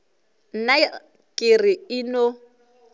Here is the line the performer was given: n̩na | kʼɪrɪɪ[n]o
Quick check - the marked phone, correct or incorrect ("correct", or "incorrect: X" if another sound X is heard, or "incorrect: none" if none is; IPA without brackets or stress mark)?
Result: correct